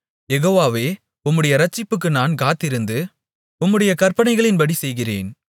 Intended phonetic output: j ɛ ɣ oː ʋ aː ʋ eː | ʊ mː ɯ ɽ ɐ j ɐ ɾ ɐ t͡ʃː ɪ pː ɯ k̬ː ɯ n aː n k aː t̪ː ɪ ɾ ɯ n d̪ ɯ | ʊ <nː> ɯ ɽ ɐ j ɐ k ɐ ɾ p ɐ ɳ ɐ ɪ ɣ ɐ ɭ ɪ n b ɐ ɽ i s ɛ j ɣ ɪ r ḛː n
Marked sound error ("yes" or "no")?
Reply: yes